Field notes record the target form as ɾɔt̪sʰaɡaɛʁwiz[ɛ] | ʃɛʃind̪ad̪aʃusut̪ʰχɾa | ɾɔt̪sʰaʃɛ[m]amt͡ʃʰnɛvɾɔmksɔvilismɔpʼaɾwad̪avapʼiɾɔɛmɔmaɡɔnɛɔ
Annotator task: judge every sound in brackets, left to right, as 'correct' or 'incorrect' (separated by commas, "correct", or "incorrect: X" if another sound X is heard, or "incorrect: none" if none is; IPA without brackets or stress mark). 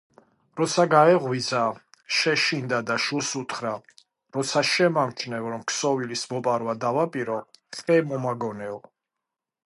incorrect: a, correct